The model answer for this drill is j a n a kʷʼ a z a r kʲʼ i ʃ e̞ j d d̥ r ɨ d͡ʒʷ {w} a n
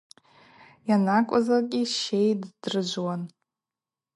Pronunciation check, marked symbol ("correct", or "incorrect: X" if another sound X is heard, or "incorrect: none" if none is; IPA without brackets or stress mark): correct